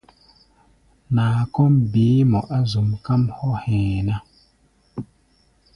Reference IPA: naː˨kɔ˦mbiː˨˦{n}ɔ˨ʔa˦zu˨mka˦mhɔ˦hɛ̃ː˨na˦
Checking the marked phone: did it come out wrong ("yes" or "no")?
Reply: yes